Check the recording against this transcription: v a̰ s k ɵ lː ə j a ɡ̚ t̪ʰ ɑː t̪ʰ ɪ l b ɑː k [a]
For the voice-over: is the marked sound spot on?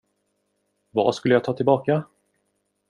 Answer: yes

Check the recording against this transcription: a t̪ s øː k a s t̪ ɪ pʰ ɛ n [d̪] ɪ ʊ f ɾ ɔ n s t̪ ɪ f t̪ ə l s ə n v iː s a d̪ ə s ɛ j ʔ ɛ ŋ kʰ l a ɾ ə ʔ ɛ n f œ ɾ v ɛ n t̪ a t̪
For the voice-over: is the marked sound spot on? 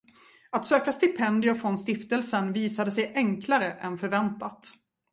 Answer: yes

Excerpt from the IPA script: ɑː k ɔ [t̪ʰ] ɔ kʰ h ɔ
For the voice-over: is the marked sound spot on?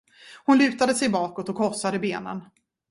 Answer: no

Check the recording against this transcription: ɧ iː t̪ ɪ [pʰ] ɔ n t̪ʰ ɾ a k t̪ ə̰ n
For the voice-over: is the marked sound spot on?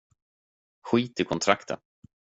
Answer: no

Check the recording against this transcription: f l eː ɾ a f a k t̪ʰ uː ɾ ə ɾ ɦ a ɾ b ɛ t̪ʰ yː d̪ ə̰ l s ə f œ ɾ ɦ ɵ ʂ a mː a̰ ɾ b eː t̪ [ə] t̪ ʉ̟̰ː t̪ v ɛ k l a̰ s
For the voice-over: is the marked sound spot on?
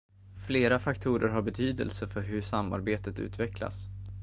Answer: yes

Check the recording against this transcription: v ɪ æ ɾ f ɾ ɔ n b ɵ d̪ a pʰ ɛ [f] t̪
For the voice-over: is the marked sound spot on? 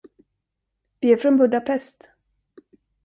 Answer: no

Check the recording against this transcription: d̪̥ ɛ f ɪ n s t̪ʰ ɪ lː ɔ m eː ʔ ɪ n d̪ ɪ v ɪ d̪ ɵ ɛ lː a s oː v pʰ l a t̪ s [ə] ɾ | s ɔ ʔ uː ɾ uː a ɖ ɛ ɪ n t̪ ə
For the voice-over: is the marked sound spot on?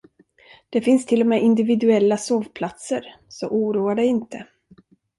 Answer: yes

